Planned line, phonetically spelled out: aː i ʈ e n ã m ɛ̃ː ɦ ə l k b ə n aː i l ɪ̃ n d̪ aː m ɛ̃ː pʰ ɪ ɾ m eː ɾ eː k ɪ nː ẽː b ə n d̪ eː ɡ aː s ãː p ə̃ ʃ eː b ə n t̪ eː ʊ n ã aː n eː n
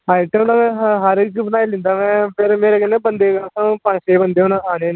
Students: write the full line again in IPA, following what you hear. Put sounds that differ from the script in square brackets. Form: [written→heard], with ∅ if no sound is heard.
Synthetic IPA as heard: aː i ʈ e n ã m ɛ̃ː ɦ ə [l→ɾ] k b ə n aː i l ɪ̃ n d̪ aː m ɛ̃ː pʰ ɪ ɾ m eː ɾ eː k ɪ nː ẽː b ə n d̪ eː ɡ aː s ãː p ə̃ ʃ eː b ə n [t̪→d̪] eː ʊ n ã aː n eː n